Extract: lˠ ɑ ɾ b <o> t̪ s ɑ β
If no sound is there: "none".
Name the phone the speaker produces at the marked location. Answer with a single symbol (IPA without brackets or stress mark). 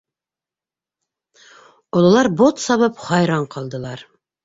o